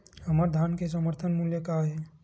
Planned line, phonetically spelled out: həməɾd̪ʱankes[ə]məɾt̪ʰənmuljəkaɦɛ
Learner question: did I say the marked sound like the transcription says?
yes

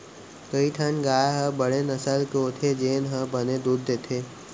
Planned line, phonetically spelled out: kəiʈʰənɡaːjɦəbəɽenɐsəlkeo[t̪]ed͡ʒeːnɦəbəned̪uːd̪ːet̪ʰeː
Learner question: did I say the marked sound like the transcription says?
no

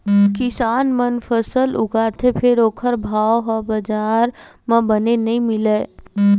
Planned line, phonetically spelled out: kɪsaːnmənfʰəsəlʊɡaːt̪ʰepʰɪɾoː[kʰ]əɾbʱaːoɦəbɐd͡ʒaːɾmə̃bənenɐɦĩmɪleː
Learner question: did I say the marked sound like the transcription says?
yes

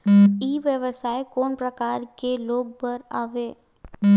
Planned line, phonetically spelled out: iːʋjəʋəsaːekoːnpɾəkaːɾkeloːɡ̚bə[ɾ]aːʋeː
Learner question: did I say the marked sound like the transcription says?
yes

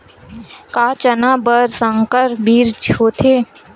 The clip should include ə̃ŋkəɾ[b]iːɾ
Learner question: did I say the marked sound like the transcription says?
yes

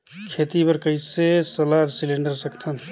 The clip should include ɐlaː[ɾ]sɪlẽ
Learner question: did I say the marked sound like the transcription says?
yes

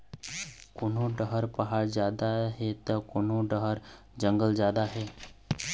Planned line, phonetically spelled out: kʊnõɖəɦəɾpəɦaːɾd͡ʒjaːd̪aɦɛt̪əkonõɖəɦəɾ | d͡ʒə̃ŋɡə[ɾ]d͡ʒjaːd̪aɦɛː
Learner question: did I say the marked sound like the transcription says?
no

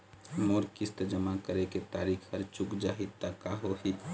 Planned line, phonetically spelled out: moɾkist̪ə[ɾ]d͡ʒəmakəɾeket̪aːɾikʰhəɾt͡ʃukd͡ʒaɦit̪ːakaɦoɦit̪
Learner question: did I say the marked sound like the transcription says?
no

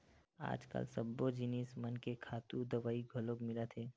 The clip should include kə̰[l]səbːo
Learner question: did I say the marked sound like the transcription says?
yes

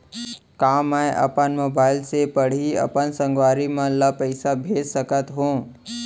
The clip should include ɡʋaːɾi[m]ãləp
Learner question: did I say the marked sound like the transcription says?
yes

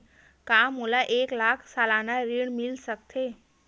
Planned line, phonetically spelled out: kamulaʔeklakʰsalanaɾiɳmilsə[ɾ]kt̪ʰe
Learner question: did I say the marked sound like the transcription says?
no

